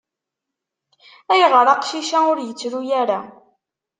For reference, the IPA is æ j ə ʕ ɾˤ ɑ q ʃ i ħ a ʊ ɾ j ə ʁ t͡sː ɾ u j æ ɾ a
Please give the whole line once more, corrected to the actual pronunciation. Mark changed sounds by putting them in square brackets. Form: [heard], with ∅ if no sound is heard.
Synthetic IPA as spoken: æ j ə [ʁ] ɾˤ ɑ q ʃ i [ʃ] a ʊ ɾ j ə [∅] t͡sː ɾ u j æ ɾ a

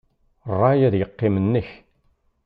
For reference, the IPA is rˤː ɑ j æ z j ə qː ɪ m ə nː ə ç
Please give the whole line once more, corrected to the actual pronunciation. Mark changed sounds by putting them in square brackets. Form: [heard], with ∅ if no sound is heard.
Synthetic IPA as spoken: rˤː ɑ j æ [ð] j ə qː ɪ m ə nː ə ç

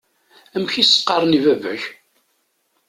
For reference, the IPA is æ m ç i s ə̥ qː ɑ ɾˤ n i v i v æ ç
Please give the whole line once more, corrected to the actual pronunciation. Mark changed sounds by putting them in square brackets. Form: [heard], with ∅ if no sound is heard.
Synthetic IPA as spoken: æ m ç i s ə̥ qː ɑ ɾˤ n i v [æ] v æ ç

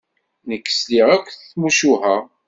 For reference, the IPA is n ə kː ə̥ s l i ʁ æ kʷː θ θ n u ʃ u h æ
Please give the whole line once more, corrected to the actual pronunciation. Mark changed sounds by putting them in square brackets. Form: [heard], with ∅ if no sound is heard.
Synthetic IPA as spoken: n ə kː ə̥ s l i ʁ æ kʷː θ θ [m] u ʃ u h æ

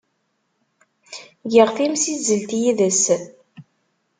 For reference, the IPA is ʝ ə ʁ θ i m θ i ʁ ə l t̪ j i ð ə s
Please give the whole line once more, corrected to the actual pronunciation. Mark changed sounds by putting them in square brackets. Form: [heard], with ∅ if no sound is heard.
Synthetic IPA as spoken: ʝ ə ʁ θ i m [s] i [z] ə l t̪ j i ð ə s

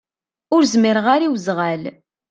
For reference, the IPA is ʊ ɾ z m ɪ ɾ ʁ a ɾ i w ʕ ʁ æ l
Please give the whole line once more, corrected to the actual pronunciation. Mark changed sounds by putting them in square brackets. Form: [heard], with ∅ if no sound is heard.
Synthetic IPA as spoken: ʊ ɾ z m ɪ ɾ ʁ a ɾ i w [z] ʁ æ l

